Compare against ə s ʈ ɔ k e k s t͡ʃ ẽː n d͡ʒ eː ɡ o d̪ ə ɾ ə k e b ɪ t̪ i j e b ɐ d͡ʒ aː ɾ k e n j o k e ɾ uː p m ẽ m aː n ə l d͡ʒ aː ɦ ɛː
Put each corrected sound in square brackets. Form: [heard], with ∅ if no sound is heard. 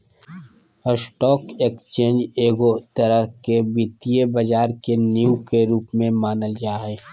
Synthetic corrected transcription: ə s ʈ [ɔː] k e k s t͡ʃ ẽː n d͡ʒ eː ɡ o [t̪] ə ɾ ə k e b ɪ t̪ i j e b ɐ d͡ʒ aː ɾ k e n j [u] k e ɾ uː p m ẽ m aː n ə l d͡ʒ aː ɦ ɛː